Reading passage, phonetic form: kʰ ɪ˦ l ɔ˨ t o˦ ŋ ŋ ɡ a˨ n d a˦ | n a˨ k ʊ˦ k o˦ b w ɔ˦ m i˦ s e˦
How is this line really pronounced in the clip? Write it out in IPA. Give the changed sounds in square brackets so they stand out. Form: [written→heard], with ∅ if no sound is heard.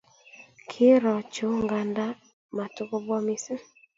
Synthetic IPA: kʰ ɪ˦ [l→ɾ] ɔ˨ [t→t͡ʃ] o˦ ŋ ŋ ɡ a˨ n d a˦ | [n→m] a˨ [k→t] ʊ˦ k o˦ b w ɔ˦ m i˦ s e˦